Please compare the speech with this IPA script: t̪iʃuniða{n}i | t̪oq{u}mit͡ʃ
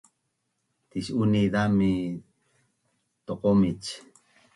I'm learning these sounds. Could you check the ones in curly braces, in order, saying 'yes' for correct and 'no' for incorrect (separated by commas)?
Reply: no, no